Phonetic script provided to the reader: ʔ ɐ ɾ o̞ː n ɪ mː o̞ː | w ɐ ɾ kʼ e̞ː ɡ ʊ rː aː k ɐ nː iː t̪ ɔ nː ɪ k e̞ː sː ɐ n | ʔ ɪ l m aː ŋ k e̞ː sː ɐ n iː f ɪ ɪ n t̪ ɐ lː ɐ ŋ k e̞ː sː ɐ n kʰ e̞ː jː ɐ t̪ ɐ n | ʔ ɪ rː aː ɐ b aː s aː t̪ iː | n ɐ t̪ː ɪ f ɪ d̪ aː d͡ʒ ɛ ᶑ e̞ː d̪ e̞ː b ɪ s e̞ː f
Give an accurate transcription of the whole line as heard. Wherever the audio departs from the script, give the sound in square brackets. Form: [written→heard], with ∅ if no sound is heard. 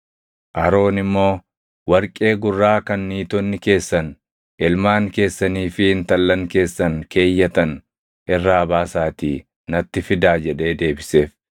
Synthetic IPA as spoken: ʔ ɐ ɾ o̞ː n ɪ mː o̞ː | w ɐ ɾ kʼ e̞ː ɡ ʊ rː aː k ɐ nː iː t̪ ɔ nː ɪ k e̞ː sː ɐ n | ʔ ɪ l m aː ŋ k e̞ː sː ɐ n iː f ɪ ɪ n t̪ ɐ lː ɐ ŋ k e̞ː sː ɐ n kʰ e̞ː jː ɐ t̪ ɐ n | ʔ ɪ rː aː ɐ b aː s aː t̪ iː | n ɐ t̪ː ɪ f ɪ d̪ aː d͡ʒ ɛ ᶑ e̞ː d̪ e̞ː b ɪ s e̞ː f